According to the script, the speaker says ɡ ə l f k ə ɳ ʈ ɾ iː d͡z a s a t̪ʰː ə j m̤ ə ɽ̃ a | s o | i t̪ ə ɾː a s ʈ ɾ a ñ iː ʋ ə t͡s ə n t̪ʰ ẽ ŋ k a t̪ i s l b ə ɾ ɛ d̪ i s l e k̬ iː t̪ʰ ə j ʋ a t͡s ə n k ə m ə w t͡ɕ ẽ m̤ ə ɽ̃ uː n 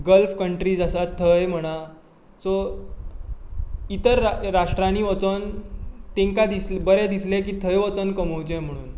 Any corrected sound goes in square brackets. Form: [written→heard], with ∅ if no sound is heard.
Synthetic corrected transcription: ɡ ə l f k ə ɳ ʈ ɾ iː d͡z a s a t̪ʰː ə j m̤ ə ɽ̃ a | s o | i t̪ ə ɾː a [s→ʂ] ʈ ɾ a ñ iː ʋ ə t͡s ə n [t̪ʰ→t̪] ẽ ŋ k a [t̪→d̪] i s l b ə ɾ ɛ d̪ i s l e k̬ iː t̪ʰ ə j ʋ [a→ə] t͡s ə n k ə m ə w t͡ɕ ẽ m̤ ə ɽ̃ uː n